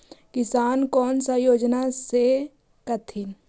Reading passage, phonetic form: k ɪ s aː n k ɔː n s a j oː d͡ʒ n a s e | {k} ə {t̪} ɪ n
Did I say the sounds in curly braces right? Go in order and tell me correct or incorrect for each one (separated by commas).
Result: correct, incorrect